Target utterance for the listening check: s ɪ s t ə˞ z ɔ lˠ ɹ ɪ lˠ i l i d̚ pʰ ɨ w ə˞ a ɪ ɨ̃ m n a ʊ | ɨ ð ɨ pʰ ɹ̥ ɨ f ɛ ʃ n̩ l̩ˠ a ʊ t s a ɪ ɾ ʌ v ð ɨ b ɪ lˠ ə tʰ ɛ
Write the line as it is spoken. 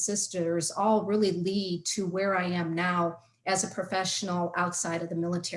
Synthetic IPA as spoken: s ɪ s t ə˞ z ɔ lˠ ɹ ɪ lˠ i l i d̚ tʰ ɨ w ə˞ a ɪ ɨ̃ m n a ʊ | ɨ z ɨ pʰ ɹ̥ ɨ f ɛ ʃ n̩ l̩ˠ a ʊ t s a ɪ ɾ ʌ v ð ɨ m ɪ lˠ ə tʰ ɛ

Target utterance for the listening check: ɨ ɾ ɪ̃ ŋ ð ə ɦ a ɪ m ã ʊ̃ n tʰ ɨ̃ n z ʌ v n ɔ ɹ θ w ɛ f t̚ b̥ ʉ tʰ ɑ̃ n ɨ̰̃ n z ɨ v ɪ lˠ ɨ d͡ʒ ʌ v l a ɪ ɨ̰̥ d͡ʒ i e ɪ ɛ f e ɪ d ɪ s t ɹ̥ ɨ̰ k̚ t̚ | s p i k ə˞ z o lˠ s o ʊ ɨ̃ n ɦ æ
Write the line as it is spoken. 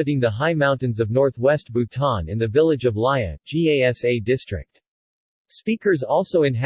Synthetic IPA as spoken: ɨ ɾ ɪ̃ ŋ ð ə ɦ a ɪ m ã ʊ̃ n t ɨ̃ n z ʌ v n ɔ ɹ θ w ɛ s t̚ b̥ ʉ tʰ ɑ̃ n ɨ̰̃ n ð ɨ v ɪ lˠ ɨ d͡ʒ ʌ v l a ɪ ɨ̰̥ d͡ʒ i e ɪ ɛ s e ɪ d ɪ s t ɹ̥ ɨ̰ k̚ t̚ | s p i k ə˞ z ɔ lˠ s o ʊ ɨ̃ n ɦ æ

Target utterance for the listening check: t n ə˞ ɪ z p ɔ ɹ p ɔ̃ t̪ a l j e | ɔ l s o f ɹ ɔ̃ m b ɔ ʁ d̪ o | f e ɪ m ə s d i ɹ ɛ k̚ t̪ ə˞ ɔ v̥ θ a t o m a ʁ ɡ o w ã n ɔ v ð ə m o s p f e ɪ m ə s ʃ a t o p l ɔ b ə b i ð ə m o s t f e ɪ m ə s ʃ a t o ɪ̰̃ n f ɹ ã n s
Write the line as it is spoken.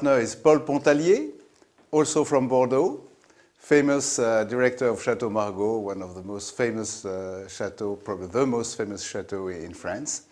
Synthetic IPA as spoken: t n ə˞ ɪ z p ɔ l p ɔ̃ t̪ a l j e | ɔ l s o f ɹ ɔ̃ m b ɔ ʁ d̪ o | f e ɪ m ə s d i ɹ ɛ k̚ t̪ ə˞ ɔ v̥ ʃ a t o m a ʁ ɡ o w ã n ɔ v ð ə m o s t f e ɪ m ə s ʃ a t o p ɹ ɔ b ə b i ð ə m o s t f e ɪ m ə s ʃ a t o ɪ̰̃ n f ɹ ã n s

